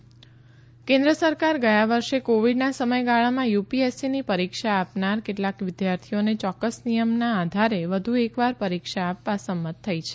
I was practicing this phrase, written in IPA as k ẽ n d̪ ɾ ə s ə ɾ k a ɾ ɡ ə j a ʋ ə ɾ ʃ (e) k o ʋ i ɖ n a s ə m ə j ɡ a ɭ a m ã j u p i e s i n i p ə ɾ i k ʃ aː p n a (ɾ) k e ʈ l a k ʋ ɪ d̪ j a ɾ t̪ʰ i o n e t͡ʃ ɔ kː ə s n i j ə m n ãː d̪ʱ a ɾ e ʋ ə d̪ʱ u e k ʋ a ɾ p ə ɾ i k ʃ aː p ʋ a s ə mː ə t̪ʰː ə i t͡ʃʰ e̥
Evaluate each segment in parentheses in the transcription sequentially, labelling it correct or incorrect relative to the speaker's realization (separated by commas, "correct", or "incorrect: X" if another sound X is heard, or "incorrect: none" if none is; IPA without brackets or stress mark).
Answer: correct, correct